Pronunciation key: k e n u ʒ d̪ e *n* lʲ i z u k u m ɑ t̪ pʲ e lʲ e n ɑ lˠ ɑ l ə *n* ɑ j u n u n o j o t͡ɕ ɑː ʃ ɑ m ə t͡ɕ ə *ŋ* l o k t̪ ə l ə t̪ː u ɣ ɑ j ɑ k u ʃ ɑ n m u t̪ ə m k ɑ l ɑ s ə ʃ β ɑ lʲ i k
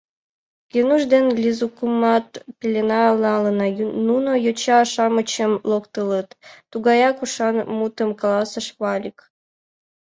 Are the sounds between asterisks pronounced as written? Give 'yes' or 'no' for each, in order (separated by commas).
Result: yes, yes, no